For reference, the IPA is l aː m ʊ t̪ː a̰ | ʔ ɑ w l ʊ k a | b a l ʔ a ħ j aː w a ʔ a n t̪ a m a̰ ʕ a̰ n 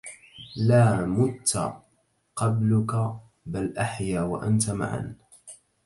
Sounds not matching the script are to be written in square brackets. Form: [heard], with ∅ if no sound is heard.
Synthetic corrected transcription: l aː m ʊ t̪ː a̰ | [q] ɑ [b] l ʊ k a | b a l ʔ a ħ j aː w a ʔ a n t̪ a m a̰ ʕ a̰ n